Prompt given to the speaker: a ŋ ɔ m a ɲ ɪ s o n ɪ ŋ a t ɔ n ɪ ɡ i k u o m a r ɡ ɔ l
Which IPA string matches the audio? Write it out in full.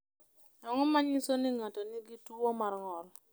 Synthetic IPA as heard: a ŋ ɔ m a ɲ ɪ s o n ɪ ŋ a t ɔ n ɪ ɡ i t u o m a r ŋ ɔ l